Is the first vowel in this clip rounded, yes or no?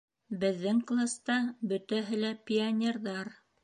no